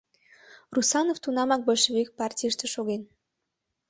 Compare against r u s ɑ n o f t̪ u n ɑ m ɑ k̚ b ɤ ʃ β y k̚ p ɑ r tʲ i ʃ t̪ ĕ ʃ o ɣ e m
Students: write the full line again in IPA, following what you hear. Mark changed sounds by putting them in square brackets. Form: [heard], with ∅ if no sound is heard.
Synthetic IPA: r u s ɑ n o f t̪ u n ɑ m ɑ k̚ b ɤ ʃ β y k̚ p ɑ r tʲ i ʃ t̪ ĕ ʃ o ɣ e [n]